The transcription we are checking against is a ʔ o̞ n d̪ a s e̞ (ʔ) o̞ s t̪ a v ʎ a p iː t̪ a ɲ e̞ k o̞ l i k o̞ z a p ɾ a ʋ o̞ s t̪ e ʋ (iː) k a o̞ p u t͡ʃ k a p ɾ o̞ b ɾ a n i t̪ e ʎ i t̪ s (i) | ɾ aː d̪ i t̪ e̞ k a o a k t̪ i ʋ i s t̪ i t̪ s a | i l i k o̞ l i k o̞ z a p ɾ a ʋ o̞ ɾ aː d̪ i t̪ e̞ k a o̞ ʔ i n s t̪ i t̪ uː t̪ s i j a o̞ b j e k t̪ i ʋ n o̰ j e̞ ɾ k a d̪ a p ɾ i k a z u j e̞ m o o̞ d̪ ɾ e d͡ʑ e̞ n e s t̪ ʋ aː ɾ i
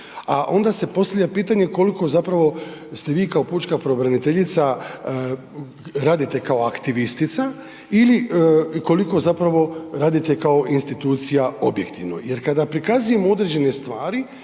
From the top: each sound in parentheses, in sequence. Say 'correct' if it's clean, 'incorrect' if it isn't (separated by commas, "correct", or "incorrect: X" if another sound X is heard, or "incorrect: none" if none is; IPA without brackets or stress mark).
incorrect: p, correct, incorrect: a